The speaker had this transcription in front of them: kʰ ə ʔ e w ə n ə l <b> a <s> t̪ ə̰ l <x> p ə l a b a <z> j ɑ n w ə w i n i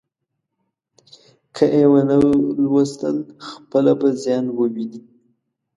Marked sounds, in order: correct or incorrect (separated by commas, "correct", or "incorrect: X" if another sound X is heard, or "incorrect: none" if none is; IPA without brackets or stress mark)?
incorrect: w, correct, correct, correct